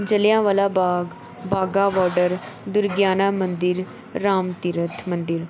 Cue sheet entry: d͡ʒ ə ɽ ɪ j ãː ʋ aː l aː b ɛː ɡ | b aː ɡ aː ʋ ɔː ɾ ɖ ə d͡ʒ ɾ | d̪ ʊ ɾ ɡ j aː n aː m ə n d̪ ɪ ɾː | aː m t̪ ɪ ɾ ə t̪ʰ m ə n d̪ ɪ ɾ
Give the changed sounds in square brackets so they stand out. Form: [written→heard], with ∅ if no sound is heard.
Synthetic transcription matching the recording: d͡ʒ ə [ɽ→l] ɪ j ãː ʋ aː l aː b [ɛː→aː] ɡ | b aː ɡ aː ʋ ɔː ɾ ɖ ə [d͡ʒ→∅] ɾ | d̪ ʊ ɾ ɡ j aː n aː m ə n d̪ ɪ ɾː | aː m t̪ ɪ ɾ ə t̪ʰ m ə n d̪ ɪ ɾ

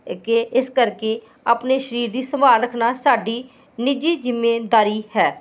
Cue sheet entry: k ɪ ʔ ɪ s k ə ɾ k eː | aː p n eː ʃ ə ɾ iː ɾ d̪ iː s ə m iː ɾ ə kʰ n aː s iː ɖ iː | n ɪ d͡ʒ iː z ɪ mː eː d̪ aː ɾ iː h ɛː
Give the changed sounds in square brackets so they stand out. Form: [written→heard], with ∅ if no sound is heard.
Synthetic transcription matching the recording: k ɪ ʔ ɪ s k ə ɾ k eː | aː p n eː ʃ ə ɾ iː ɾ d̪ iː s ə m [iː→aː] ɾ ə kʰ n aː s [iː→aː] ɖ iː | n ɪ d͡ʒ iː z ɪ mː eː d̪ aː ɾ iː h ɛː

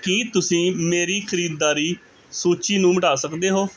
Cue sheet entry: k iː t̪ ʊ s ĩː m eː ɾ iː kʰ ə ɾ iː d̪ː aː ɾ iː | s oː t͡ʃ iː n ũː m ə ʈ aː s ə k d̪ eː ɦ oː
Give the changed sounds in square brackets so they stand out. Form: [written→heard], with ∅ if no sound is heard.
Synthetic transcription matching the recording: k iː t̪ ʊ s ĩː m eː ɾ iː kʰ ə ɾ iː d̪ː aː ɾ iː | s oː t͡ʃ iː n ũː m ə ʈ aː s ə k d̪ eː ɦ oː

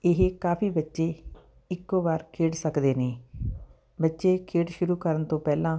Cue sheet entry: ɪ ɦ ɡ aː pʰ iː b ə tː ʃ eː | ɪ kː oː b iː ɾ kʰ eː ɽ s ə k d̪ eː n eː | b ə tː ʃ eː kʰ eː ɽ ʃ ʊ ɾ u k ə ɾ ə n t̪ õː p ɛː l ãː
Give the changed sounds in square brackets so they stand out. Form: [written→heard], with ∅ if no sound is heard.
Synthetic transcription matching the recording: ɪ ɦ [ɡ→k] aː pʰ iː b ə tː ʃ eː | ɪ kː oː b [iː→aː] ɾ kʰ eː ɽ s ə k d̪ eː n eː | b ə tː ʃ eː kʰ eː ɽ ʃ ʊ ɾ [u→uː] k ə ɾ ə n t̪ õː p ɛː l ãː

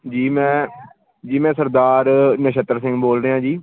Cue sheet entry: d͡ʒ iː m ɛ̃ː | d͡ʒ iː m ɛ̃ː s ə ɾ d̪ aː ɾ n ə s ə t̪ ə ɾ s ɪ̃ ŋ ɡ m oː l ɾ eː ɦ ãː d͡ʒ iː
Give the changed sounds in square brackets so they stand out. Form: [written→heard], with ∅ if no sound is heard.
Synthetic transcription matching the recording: d͡ʒ iː m ɛ̃ː | d͡ʒ iː m ɛ̃ː s ə ɾ d̪ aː ɾ n ə [s→ʃ] ə t̪ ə ɾ s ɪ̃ ŋ ɡ [m→b] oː l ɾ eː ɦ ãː d͡ʒ iː

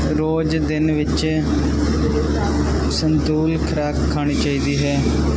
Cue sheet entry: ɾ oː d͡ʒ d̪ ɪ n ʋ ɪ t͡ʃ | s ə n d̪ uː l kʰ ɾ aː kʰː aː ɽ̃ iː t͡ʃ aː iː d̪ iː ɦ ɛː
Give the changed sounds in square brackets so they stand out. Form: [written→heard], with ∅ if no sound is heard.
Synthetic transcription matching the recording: ɾ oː d͡ʒ d̪ ɪ n ʋ ɪ t͡ʃ | s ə n d̪ uː l kʰ ɾ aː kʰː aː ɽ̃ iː t͡ʃ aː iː d̪ iː ɦ ɛː

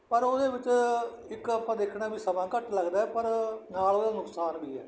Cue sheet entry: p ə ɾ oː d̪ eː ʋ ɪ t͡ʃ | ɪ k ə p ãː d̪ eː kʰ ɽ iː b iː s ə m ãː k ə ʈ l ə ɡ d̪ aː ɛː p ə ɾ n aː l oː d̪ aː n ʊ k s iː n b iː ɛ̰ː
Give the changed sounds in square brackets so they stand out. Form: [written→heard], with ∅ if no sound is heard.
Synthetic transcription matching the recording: p ə ɾ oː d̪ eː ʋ ɪ t͡ʃ | ɪ k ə p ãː d̪ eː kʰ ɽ [iː→aː] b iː s ə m ãː k ə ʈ l ə ɡ d̪ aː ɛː p ə ɾ n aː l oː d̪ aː n ʊ k s [iː→aː] n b iː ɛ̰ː

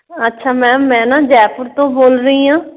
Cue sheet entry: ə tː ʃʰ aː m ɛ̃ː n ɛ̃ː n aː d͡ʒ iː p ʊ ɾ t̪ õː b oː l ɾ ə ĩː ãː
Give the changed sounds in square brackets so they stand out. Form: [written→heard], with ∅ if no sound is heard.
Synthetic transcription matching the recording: ə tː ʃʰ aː m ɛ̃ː [n→m] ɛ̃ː n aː d͡ʒ [iː→ɛː] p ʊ ɾ t̪ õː b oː l ɾ ə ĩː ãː

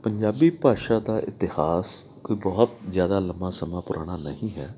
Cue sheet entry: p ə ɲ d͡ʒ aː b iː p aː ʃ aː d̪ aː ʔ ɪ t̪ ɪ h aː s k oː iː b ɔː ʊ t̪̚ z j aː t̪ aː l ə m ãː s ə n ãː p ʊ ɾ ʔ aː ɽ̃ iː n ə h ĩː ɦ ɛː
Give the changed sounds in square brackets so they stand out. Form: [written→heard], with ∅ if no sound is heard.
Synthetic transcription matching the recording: p ə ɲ d͡ʒ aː b iː p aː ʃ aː d̪ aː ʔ ɪ t̪ ɪ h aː s k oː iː b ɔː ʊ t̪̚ z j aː [t̪→d̪] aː l ə m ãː s ə [n→m] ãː p ʊ ɾ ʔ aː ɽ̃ [iː→aː] n ə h ĩː ɦ ɛː

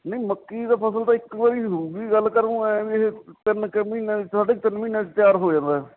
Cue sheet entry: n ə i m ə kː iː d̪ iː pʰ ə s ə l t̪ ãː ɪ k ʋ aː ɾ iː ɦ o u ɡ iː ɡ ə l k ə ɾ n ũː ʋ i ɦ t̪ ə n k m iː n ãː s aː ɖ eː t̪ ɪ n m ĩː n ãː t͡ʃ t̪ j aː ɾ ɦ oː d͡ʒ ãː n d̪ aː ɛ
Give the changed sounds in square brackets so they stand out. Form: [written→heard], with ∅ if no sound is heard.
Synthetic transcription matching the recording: n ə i m ə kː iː d̪ [iː→aː] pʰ ə s ə l t̪ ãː ɪ k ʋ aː ɾ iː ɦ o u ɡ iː ɡ ə l k ə ɾ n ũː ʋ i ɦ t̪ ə n k m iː n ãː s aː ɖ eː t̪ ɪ n m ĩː n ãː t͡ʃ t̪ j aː ɾ ɦ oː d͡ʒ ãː n d̪ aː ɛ

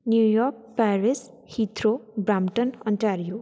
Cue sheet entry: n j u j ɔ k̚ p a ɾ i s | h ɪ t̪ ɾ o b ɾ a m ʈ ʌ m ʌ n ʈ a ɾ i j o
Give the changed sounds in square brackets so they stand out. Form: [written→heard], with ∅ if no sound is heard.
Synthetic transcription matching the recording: n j u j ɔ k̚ p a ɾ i s | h [ɪ→i] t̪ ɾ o b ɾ a m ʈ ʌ [m→n] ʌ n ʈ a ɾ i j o

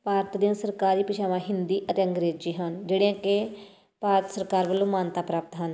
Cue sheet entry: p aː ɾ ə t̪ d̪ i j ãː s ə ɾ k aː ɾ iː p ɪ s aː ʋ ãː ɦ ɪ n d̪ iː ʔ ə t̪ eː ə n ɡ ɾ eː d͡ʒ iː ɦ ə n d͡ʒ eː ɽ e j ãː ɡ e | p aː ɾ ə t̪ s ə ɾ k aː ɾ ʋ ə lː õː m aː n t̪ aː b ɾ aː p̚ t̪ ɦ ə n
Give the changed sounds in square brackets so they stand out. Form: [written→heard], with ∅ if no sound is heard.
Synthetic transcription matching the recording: p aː ɾ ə t̪ d̪ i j ãː s ə ɾ k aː ɾ iː p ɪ [s→ʃ] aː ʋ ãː ɦ ɪ n d̪ iː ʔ ə t̪ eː ə [n→ŋ] ɡ ɾ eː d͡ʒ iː ɦ ə n d͡ʒ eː ɽ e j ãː [ɡ→k] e | p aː ɾ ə t̪ s ə ɾ k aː ɾ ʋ ə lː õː m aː n t̪ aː [b→p] ɾ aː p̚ t̪ ɦ ə n

